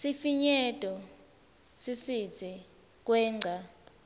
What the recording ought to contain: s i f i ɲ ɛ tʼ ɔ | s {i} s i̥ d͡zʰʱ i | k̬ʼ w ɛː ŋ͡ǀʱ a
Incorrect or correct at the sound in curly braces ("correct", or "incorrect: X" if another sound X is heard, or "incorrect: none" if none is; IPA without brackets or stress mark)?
correct